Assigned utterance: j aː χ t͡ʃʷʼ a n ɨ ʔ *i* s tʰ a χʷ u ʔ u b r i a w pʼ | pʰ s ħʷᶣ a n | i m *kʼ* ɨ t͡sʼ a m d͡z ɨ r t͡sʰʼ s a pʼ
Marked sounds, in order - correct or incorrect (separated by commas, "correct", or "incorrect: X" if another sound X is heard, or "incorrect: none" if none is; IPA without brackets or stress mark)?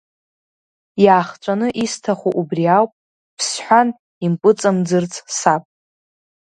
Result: correct, incorrect: pʼ